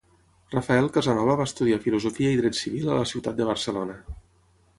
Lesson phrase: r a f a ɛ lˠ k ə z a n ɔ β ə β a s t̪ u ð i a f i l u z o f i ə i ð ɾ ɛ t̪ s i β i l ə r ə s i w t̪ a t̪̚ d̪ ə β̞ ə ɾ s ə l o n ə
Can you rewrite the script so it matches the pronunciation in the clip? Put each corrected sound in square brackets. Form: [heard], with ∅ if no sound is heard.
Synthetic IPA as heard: r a f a ɛ lˠ k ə z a n ɔ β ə β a s t̪ u ð i a f i l u z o f i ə i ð ɾ ɛ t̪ s i β i l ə [l] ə s i w t̪ a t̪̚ d̪ ə β̞ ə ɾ s ə l o n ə